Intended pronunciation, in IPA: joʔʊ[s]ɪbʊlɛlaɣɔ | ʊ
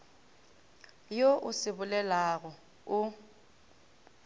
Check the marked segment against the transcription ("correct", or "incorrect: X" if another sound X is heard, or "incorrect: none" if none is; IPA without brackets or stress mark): correct